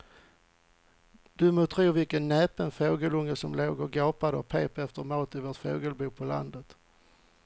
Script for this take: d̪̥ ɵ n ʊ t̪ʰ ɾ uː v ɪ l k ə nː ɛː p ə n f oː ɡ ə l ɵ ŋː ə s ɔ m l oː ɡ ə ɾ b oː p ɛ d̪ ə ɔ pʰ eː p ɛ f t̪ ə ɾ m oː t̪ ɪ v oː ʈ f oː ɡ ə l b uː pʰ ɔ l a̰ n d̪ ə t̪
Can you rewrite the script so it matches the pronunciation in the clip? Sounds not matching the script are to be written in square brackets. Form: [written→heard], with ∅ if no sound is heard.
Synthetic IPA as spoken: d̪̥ ɵ [n→m] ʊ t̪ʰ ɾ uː v ɪ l k ə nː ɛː p ə n f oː ɡ ə l ɵ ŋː ə s ɔ m l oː ɡ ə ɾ [b→ɡ] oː p [ɛ→a] d̪ ə ɔ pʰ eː p ɛ f t̪ ə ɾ m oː t̪ ɪ v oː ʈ f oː ɡ ə l b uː pʰ ɔ l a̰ n d̪ ə t̪